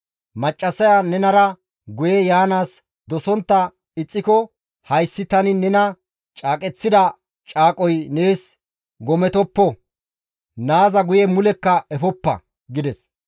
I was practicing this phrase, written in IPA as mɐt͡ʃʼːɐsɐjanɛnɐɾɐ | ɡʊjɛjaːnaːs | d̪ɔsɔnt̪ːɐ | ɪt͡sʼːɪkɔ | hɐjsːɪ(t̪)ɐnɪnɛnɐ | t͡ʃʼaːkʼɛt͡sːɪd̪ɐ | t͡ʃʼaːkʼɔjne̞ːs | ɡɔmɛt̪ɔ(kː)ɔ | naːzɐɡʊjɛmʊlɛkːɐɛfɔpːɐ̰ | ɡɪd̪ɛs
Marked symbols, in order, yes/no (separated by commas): yes, no